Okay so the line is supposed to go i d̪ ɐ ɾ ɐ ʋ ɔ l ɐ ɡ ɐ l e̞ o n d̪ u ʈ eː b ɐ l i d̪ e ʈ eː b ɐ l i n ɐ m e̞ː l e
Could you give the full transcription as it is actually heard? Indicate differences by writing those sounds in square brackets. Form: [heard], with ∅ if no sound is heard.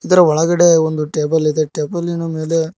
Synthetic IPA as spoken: i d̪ ɐ ɾ ɐ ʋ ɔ [ɭ] ɐ ɡ ɐ [ɽ] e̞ o n d̪ u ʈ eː b ɐ l i d̪ e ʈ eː b ɐ l i n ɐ m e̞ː l e